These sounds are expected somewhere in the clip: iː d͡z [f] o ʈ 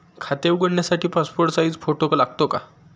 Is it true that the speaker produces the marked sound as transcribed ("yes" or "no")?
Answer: yes